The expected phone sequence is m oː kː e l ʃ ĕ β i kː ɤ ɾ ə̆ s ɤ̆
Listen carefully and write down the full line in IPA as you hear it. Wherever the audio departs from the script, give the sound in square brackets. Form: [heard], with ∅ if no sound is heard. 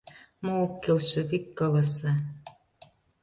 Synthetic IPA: m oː kː e l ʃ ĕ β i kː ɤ [l] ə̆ s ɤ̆